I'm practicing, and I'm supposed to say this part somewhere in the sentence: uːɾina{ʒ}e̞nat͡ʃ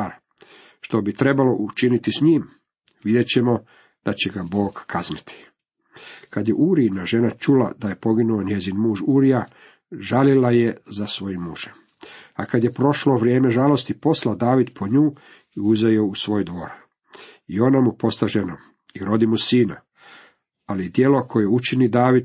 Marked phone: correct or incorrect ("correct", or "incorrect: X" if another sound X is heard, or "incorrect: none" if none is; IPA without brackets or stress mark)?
correct